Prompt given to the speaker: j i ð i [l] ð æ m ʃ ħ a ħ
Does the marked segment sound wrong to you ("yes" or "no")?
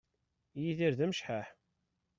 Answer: yes